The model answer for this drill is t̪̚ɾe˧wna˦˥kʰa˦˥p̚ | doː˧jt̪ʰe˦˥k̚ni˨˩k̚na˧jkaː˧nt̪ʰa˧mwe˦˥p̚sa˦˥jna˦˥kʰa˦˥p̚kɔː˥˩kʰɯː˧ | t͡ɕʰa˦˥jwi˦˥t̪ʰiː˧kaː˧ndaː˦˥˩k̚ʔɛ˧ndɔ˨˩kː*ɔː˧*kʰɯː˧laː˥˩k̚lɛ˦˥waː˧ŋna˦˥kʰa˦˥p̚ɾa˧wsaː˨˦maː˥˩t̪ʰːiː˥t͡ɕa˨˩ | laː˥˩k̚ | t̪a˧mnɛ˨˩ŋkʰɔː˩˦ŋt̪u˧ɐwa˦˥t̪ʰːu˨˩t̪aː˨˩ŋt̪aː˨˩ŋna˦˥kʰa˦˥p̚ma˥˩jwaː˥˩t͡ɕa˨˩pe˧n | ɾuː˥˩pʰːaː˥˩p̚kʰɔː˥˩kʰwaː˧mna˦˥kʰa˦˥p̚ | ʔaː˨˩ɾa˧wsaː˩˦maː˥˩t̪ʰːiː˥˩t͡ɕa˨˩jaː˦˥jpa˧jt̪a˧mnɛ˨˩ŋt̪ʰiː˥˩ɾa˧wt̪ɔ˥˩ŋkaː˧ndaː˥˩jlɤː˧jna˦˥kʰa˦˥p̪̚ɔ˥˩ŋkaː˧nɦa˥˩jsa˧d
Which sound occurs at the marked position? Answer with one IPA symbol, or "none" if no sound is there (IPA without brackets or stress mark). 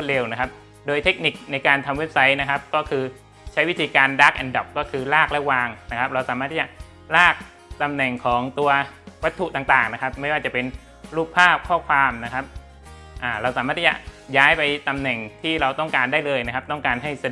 ɔː˥˩